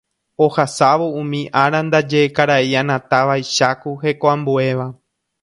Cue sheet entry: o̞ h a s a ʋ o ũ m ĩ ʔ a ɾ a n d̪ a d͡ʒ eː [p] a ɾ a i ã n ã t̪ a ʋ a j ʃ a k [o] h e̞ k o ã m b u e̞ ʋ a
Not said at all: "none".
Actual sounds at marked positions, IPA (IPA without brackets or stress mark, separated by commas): k, u